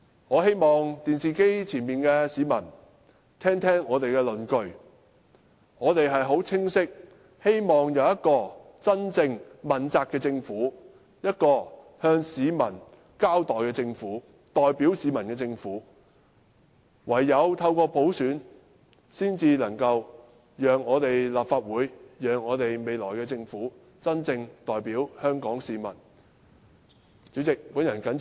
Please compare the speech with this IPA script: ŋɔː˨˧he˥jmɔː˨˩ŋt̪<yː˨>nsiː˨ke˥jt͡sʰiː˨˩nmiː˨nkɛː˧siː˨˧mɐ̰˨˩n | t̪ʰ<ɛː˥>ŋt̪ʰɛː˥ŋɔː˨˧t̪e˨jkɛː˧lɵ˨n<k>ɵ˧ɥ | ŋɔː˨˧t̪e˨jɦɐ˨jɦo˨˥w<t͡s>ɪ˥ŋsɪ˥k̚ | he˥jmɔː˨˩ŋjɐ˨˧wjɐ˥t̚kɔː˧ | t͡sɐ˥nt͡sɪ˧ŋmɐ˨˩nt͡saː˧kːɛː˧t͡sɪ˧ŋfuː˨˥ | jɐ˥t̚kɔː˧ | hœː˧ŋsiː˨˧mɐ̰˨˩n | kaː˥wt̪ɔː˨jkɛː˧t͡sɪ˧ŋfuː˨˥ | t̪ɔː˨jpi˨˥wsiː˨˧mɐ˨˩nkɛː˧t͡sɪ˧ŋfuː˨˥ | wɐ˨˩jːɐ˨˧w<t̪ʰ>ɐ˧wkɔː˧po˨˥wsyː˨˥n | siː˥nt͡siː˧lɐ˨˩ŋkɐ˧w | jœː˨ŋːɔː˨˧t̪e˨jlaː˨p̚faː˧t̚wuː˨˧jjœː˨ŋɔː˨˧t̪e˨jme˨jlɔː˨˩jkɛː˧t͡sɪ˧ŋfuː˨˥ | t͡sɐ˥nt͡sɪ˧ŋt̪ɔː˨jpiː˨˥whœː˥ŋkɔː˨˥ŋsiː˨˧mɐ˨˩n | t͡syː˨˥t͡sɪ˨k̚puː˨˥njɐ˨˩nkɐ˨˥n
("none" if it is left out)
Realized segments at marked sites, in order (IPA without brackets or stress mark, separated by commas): iː˨, ɛː˥, k, t͡sʰ, t̪ʰ